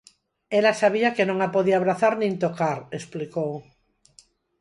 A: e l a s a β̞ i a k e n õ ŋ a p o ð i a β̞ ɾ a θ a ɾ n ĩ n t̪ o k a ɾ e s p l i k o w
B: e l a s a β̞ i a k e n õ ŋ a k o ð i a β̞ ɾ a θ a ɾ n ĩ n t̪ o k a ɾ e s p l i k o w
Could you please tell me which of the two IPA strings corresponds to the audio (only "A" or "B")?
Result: A